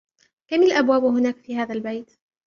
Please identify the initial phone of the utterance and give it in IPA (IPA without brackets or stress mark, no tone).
k